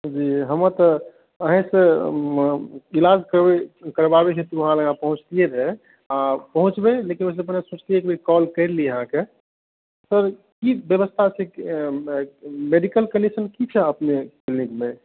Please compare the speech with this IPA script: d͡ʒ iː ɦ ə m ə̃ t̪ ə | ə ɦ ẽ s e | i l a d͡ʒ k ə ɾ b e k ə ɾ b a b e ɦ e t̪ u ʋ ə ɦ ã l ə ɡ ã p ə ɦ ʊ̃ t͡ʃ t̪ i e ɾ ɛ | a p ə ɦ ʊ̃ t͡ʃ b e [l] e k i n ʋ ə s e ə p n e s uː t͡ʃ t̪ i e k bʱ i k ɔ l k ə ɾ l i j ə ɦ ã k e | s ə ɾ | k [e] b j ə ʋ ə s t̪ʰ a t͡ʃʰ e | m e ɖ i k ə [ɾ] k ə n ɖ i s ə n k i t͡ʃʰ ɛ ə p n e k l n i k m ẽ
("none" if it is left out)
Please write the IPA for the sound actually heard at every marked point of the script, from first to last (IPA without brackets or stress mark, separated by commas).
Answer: l, i, l